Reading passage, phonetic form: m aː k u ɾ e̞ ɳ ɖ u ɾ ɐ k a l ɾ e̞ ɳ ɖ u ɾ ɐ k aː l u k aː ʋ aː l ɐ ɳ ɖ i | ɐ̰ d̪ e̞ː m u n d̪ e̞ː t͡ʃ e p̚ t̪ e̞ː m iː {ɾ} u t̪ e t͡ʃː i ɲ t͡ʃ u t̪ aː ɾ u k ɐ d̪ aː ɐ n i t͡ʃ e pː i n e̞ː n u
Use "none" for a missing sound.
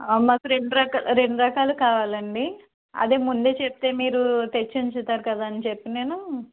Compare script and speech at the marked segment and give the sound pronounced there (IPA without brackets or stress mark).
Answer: ɾ